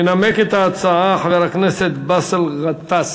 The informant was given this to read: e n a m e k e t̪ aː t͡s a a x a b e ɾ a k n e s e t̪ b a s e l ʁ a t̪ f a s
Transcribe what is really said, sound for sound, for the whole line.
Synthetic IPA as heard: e n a m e k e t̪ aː t͡s a a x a v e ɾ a k n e s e t̪ b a s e l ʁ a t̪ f a s